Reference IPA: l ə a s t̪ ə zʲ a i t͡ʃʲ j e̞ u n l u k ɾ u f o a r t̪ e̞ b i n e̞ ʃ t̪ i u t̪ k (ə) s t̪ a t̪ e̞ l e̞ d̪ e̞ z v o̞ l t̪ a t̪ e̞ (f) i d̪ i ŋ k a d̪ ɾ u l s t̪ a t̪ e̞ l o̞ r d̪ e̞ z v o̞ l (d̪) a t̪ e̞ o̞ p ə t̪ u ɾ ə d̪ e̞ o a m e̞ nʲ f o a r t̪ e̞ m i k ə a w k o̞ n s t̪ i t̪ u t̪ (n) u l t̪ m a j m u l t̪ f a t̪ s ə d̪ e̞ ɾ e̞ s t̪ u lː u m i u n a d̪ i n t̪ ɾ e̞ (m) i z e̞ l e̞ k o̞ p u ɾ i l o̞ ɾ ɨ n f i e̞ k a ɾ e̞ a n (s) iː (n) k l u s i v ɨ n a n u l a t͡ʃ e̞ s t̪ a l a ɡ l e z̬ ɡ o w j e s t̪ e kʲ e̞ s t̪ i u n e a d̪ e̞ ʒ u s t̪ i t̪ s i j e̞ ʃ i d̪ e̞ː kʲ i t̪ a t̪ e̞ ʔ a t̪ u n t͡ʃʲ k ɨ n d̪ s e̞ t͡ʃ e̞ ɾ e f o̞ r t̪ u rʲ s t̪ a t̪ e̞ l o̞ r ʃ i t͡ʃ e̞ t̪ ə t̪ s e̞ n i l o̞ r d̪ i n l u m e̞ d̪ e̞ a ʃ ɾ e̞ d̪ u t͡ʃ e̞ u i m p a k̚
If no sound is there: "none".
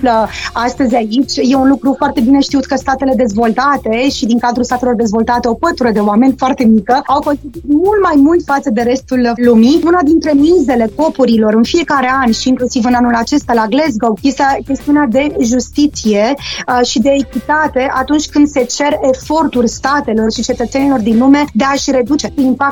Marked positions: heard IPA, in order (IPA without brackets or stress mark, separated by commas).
ə, ʃ, t̪, m, m, ʃ, ŋ